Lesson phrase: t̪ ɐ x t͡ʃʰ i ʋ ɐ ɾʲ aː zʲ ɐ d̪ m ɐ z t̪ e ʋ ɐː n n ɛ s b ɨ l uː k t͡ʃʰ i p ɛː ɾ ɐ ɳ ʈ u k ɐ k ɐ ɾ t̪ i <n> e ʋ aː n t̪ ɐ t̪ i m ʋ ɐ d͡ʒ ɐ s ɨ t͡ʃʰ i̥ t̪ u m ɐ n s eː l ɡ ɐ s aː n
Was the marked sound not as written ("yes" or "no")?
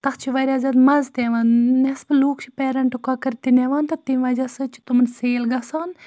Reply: no